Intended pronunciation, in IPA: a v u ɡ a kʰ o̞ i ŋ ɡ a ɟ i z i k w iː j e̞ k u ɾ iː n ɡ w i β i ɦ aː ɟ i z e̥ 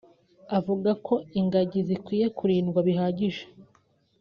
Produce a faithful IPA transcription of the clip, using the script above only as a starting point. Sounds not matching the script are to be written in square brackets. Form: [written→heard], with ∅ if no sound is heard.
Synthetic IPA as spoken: a v u ɡ a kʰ o̞ i ŋ ɡ a ɟ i z i k w iː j e̞ k u ɾ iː n ɡ w [i→a] β i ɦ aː ɟ i [z→ʒ] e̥